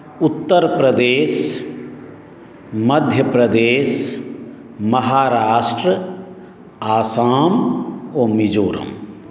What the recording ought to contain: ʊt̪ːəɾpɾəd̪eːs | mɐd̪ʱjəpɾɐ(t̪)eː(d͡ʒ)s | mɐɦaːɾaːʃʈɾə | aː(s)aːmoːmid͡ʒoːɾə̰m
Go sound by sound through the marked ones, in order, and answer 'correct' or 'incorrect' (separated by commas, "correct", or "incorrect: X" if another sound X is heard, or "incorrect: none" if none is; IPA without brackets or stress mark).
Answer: incorrect: d̪, incorrect: none, correct